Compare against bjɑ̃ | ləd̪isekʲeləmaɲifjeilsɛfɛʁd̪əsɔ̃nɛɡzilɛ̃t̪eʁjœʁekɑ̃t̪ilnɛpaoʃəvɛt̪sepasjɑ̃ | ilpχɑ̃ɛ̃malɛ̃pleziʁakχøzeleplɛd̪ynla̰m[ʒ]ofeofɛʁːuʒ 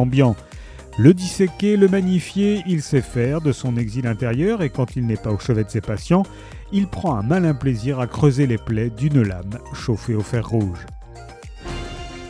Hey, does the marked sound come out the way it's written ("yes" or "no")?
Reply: no